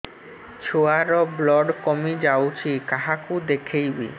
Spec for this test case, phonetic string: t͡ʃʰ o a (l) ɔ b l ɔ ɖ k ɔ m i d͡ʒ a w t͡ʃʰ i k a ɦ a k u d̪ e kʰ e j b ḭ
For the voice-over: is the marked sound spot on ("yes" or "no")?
no